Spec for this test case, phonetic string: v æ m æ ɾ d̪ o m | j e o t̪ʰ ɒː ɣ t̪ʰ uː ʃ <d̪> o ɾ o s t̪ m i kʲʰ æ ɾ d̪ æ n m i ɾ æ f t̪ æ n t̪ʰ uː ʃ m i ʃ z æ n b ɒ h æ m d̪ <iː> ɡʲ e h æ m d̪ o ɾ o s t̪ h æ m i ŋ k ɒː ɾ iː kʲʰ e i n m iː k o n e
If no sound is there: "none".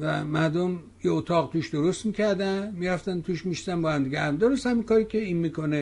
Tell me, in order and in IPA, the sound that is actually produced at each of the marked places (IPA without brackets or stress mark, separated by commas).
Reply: d̪, i